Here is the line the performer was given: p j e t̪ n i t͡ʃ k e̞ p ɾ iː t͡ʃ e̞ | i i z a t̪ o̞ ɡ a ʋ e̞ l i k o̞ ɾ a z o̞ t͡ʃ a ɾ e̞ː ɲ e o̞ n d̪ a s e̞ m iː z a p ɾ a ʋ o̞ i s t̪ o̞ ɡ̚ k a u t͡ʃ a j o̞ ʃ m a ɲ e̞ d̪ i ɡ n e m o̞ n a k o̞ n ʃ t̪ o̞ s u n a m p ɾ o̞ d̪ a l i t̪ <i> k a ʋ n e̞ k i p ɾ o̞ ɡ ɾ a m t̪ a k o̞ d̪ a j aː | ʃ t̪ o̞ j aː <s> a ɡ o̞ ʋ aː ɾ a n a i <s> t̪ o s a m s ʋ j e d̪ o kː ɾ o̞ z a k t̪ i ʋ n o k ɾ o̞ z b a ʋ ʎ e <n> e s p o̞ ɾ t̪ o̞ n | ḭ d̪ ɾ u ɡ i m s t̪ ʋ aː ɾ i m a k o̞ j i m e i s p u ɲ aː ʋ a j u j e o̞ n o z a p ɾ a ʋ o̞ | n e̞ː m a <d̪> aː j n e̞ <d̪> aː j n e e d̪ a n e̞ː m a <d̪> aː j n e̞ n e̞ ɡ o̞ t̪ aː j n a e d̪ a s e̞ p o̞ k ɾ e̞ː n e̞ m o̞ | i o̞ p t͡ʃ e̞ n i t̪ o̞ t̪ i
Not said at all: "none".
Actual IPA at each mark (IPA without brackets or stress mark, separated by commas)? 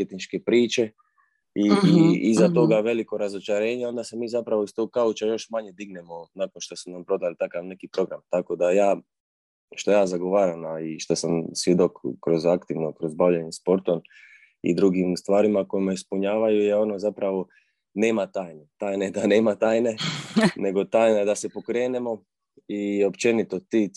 a, z, ʃ, ɲ, t̪, t̪, t̪